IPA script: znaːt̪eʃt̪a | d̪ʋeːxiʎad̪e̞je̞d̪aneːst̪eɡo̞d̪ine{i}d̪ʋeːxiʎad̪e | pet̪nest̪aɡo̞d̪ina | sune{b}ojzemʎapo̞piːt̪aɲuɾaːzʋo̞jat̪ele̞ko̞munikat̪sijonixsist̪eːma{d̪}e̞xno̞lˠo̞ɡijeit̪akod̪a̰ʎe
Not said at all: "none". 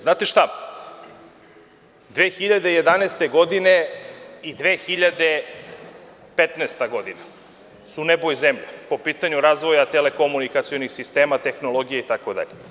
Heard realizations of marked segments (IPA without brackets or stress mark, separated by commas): i, b, t̪